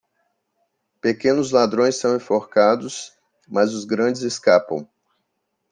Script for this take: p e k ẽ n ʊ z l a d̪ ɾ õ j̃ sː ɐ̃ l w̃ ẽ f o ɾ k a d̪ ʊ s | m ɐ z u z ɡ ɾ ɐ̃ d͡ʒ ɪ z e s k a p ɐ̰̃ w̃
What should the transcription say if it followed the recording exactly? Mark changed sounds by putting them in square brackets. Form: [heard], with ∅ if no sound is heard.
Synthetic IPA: p e k ẽ n ʊ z l a d̪ ɾ õ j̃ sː ɐ̃ [∅] w̃ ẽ f o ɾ k a d̪ ʊ s | m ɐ z [ʊ] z ɡ ɾ ɐ̃ d͡ʒ ɪ z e s k a p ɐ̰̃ w̃